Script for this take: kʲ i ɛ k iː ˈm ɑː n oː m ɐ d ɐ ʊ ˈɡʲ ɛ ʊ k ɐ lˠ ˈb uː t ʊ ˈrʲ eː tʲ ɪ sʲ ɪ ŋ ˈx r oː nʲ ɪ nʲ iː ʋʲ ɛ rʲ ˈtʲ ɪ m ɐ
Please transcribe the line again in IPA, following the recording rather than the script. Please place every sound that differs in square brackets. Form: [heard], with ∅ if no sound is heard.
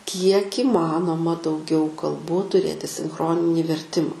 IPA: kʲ i ɛ k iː ˈm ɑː n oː m ɐ d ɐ ʊ ˈɡʲ ɛ ʊ k ɐ lˠ ˈb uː t ʊ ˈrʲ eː tʲ ɪ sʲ ɪ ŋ ˈx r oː nʲ ɪ nʲ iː ʋʲ ɛ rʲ ˈtʲ ɪ m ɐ